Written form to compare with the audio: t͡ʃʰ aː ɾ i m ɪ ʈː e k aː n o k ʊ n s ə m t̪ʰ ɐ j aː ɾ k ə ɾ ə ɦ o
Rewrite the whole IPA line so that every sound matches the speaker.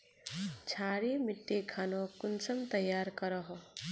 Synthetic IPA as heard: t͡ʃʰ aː ɾ i m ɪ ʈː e kʰ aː n o k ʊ n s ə m t̪ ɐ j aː ɾ k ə ɾ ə ɦ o